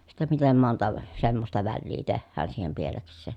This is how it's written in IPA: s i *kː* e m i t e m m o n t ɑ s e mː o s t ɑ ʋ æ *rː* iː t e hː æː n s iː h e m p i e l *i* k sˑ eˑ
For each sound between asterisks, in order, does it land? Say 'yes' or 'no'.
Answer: no, no, no

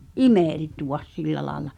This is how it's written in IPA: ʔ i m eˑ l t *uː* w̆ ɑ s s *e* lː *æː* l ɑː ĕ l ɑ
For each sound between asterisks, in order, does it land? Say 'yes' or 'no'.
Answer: no, no, no

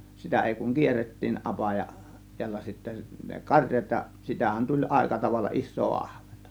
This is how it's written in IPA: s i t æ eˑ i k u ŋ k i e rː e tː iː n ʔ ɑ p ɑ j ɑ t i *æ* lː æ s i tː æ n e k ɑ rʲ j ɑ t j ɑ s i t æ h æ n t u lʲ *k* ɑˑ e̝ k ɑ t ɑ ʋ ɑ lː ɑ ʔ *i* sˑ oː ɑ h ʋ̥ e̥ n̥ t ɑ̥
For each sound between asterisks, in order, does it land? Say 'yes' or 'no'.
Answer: yes, no, yes

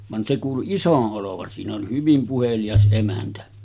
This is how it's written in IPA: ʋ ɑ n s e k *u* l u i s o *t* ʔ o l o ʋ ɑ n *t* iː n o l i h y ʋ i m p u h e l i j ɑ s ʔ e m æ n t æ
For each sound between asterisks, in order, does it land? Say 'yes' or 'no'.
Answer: no, no, no

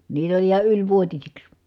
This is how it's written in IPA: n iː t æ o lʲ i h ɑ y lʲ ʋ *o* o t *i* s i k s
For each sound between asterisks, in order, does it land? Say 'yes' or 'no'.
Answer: no, yes

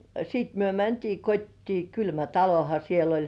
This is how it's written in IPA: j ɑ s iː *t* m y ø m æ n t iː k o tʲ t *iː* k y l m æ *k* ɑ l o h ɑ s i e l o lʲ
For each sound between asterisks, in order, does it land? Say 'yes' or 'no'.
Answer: yes, yes, no

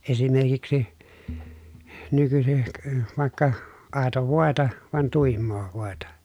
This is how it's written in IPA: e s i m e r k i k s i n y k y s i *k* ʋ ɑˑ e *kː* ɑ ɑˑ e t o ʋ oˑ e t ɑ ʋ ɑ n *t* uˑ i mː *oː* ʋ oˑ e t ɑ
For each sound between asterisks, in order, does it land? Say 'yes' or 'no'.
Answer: yes, yes, yes, yes

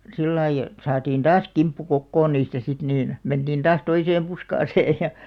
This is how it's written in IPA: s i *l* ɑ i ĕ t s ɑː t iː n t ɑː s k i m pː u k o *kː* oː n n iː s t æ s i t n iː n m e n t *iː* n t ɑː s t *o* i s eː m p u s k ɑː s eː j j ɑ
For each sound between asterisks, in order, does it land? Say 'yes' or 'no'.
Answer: no, yes, yes, yes

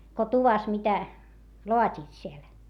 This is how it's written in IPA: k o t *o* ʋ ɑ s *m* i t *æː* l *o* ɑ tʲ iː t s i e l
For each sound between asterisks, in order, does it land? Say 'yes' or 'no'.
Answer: no, yes, no, yes

